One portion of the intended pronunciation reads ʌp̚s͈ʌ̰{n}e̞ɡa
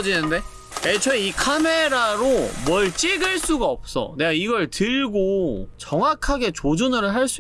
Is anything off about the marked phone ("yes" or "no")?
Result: no